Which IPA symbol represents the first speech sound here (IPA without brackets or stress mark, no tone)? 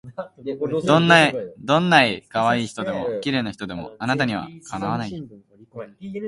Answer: d̪